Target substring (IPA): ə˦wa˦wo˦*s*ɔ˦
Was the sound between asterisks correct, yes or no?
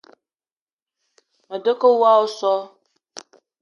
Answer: yes